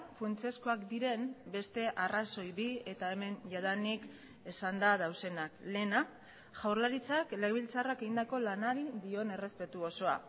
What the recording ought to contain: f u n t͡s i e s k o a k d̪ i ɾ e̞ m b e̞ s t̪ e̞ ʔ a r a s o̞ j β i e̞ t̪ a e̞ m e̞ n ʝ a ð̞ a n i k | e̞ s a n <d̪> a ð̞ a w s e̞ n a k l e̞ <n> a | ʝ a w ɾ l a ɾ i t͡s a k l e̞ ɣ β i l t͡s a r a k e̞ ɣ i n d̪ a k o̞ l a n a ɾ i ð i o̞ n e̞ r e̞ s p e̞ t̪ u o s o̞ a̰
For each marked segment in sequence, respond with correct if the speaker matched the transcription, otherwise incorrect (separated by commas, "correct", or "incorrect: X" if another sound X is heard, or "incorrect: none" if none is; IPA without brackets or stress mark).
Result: correct, correct